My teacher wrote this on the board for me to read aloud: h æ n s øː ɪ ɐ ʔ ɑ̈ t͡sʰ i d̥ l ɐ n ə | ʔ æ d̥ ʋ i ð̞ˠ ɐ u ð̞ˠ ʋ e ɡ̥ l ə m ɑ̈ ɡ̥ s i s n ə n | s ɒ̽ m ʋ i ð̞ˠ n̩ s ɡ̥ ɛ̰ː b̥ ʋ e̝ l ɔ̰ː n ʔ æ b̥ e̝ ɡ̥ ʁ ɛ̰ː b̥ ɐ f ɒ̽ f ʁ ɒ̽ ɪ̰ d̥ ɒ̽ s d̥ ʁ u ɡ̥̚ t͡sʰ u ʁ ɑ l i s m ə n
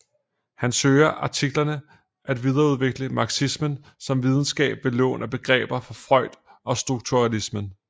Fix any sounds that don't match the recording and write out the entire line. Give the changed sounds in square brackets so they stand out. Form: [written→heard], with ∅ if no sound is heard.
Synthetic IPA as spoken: h æ n s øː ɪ ɐ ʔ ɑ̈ t͡sʰ i [d̥→ɡ̥] l ɐ n ə | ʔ æ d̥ ʋ i ð̞ˠ ɐ u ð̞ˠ ʋ e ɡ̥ l ə m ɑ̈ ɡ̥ s i s [n→m] ə n | s ɒ̽ m ʋ i ð̞ˠ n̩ s ɡ̥ ɛ̰ː b̥ ʋ e̝ l ɔ̰ː n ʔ æ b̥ e̝ ɡ̥ ʁ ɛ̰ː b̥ ɐ f ɒ̽ f ʁ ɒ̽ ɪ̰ d̥ ɒ̽ s d̥ ʁ u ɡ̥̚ t͡sʰ u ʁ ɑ l i s m ə n